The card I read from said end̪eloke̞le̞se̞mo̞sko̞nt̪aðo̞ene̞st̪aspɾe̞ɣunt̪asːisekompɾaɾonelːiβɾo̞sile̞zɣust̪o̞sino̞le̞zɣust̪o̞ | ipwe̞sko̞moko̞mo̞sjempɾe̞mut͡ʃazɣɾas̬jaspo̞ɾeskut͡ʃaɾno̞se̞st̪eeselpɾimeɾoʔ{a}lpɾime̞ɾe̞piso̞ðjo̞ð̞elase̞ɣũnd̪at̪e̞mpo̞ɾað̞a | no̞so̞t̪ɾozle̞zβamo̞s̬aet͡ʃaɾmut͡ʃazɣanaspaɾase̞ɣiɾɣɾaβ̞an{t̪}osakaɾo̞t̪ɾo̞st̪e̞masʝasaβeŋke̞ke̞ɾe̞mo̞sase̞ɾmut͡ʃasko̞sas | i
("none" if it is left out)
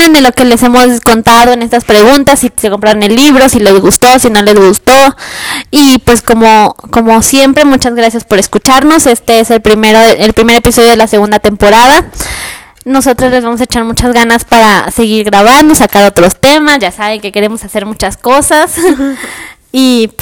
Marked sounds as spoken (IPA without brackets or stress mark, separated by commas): e, d̪